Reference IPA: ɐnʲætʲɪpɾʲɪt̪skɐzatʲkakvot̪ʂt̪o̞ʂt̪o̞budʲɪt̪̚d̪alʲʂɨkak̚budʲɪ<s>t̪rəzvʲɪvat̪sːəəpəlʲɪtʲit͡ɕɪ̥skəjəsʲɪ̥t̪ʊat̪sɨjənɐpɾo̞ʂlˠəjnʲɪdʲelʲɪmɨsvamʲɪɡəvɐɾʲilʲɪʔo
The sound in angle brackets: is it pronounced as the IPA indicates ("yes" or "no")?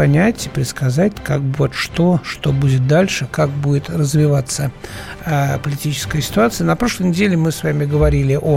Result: no